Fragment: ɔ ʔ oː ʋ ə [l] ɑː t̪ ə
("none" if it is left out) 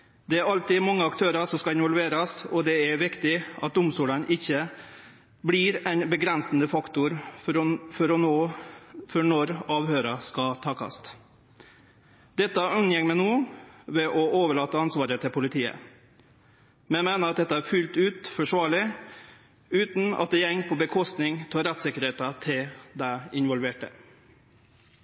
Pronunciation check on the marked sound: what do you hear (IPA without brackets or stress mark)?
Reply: ɭ